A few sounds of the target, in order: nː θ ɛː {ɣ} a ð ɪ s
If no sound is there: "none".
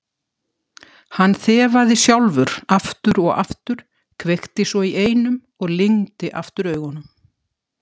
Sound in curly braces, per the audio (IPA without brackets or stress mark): v